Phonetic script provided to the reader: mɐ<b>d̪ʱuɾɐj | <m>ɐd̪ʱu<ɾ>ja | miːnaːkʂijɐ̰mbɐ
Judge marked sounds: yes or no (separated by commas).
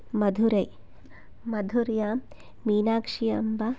no, yes, yes